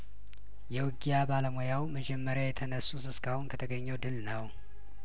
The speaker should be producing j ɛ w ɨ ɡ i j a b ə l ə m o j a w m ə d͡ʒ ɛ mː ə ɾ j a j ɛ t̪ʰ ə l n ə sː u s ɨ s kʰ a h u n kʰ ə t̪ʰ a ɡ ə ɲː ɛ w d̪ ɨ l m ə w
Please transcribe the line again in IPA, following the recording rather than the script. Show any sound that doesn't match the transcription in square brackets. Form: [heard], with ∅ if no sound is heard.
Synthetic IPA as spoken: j ɛ w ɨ ɡ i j a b [a] l ə m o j a w m ə d͡ʒ ɛ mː ə ɾ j a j ɛ t̪ʰ ə [∅] n ə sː u s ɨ s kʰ a h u n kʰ ə t̪ʰ [ə] ɡ ə ɲː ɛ w d̪ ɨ l [n] ə w